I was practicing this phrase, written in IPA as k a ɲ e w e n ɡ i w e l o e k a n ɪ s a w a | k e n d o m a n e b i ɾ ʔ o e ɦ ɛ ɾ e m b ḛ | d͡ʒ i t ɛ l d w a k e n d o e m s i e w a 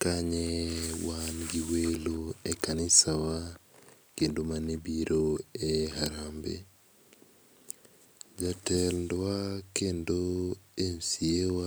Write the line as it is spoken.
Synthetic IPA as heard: k a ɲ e w a n ɡ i w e l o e k a n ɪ s a w a | k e n d o m a n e b i ɾ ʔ o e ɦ a ɾ a m b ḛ | d͡ʒ a t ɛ l d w a k e n d o e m s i e w a